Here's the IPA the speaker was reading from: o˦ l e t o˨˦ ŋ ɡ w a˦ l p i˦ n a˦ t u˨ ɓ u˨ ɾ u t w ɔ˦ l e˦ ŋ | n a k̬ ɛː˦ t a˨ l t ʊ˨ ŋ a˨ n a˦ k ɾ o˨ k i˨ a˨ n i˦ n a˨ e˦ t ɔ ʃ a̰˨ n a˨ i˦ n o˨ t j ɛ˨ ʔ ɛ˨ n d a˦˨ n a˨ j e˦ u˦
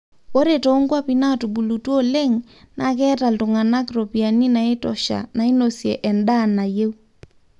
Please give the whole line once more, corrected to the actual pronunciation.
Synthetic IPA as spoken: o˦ ɾ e t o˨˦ ŋ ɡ w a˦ p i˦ n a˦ t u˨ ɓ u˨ l u t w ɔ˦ l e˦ ŋ | n a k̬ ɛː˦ t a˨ l t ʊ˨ ŋ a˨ n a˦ k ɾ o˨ p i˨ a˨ n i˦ n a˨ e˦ t ɔ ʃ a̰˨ n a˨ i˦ n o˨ s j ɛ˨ ʔ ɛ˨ n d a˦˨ n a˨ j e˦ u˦